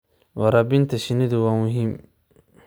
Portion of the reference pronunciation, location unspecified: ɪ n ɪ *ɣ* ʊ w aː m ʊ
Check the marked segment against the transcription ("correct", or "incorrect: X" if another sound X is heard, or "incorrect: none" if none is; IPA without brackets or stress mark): incorrect: ð